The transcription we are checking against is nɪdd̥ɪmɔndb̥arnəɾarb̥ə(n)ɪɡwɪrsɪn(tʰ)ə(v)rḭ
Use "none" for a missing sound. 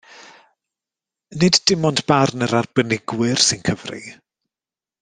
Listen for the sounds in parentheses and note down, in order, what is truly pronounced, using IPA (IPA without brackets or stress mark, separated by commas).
n, kʰ, v